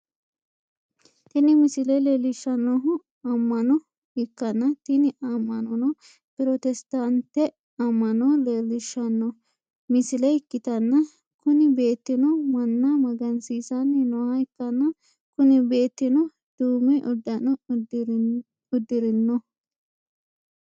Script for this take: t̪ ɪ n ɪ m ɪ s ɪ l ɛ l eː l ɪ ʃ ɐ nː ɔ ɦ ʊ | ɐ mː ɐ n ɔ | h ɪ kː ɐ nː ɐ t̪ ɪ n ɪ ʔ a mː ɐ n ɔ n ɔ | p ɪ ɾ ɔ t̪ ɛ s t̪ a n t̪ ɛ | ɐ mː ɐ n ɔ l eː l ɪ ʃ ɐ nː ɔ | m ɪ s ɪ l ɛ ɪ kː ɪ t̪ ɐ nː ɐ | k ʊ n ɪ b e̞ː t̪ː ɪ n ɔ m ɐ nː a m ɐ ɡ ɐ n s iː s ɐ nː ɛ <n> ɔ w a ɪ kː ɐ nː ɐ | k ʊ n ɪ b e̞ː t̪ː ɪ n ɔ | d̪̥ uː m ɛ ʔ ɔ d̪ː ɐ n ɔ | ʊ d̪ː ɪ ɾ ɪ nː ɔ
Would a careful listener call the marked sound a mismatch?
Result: no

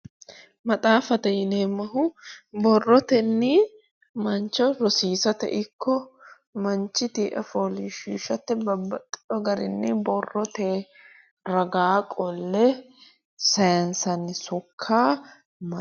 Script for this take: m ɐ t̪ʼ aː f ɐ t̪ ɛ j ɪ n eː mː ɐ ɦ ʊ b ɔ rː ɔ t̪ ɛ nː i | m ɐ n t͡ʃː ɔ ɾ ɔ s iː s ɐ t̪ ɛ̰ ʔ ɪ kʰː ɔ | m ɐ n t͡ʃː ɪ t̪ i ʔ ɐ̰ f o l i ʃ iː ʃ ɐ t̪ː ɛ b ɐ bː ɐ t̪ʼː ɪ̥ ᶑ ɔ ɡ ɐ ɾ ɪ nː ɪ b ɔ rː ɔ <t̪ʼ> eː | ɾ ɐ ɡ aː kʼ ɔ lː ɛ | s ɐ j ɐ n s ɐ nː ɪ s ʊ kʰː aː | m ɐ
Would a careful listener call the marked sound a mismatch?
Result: yes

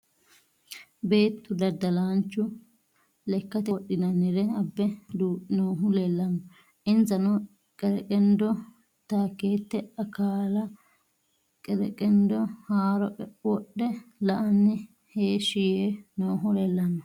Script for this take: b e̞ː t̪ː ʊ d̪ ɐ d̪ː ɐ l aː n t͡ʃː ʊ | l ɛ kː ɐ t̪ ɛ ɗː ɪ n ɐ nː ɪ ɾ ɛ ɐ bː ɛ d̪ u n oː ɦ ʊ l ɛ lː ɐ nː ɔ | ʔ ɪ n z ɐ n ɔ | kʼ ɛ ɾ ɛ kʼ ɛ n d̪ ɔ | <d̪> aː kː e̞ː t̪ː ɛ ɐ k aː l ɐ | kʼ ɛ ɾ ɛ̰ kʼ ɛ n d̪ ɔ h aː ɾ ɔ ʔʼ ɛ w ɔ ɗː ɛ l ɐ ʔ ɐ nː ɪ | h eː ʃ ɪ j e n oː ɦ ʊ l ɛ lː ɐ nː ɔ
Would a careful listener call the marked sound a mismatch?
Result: yes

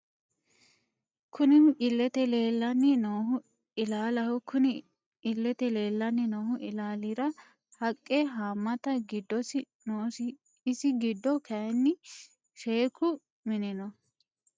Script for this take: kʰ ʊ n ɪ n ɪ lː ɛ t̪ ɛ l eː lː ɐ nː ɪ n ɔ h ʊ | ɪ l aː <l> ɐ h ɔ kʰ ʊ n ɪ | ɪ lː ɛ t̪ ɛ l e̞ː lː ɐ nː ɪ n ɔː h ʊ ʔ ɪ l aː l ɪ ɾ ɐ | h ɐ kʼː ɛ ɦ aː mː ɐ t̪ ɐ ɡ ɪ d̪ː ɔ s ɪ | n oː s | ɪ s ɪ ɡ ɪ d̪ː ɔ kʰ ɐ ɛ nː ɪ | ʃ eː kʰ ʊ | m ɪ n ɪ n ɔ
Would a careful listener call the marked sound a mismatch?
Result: no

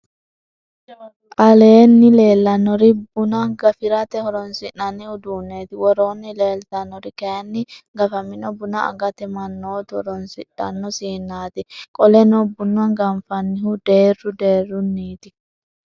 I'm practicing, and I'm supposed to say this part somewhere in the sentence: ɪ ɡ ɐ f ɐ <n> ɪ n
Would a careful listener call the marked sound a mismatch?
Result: yes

